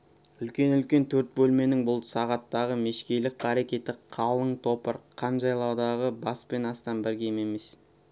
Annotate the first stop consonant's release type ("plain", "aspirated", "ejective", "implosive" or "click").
plain